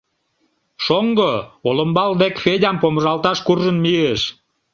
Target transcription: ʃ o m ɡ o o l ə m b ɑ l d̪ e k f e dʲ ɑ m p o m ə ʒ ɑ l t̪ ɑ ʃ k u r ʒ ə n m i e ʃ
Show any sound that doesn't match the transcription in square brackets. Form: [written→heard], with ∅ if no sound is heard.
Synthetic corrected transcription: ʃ o [m→ŋ] ɡ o o l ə m b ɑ l d̪ e k f e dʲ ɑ m p o m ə ʒ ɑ l t̪ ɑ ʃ k u r ʒ ə n m i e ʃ

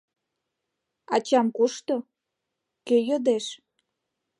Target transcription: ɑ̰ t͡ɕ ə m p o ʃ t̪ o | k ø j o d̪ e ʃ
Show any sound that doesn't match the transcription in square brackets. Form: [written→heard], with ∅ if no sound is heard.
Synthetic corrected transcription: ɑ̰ t͡ɕ [ə→ɑ] m [p→k] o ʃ t̪ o | k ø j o d̪ e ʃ

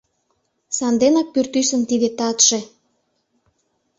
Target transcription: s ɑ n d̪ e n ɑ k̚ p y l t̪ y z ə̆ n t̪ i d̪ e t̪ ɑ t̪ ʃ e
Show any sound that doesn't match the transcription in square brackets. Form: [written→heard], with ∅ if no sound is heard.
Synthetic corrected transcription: s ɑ n d̪ e n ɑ k̚ p y [l→r] t̪ y [z→s] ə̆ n t̪ i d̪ e t̪ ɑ t̪ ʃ e

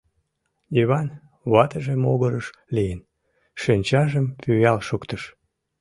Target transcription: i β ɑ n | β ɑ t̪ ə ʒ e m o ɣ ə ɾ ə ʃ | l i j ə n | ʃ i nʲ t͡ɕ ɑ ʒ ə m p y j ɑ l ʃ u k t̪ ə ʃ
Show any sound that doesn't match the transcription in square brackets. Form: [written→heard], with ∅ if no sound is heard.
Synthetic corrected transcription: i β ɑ n | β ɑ t̪ ə ʒ e m o ɣ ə ɾ ə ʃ | l i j ə n | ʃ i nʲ t͡ɕ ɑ ʒ ə m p y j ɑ l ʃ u k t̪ ə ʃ

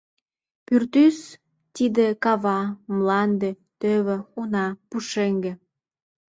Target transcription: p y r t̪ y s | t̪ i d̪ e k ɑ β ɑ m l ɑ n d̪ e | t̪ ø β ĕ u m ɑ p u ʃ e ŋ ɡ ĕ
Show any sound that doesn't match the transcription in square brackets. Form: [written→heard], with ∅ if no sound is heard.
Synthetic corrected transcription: p y r t̪ y s | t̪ i d̪ e k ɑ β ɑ m l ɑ n d̪ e | t̪ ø β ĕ u [m→n] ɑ p u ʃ e ŋ ɡ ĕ

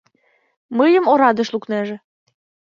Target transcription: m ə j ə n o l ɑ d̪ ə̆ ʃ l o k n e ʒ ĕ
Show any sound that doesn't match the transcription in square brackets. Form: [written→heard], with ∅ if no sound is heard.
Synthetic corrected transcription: m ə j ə [n→m] o [l→ɾ] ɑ d̪ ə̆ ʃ l [o→u] k n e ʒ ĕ

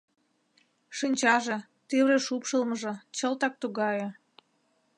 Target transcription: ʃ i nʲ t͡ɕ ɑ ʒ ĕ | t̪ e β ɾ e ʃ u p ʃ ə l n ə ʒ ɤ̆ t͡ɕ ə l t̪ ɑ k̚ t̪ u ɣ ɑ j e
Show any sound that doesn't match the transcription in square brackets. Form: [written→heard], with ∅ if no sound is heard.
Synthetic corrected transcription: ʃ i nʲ t͡ɕ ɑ ʒ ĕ | t̪ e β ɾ e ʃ u p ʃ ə l [n→m] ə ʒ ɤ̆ t͡ɕ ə l t̪ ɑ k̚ t̪ u ɣ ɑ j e

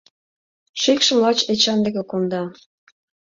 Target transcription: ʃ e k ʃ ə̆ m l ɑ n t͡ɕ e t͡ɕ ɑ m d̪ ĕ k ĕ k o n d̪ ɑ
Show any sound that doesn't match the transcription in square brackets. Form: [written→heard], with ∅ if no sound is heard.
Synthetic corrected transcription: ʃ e k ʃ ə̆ m l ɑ [n→∅] t͡ɕ e t͡ɕ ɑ [m→n] d̪ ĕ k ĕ k o n d̪ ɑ

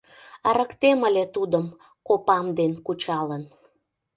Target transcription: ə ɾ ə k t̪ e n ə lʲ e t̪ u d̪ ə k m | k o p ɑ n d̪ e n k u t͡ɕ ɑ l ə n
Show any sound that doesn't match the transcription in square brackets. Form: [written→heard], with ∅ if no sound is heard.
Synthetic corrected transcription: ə ɾ ə k t̪ e [n→m] ə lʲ e t̪ u d̪ ə [k→∅] m | k o p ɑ [n→m] d̪ e n k u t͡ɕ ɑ l ə n

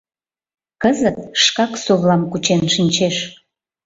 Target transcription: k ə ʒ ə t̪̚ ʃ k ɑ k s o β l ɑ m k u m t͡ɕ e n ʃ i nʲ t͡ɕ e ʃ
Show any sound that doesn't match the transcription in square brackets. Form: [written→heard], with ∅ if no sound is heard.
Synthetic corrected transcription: k ə [ʒ→z] ə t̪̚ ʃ k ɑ k s o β l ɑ m k u [m→∅] t͡ɕ e n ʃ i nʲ t͡ɕ e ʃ

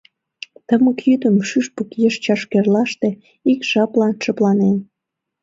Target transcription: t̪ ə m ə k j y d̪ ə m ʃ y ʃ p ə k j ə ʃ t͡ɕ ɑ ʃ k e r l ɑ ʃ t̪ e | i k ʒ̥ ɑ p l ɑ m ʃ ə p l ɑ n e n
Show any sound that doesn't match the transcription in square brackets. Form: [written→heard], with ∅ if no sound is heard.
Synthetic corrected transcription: t̪ ə m ə k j y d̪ ə m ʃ y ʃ p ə k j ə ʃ t͡ɕ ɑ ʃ k e r l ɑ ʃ t̪ e | i k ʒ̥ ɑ p l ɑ [m→n] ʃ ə p l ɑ n e n

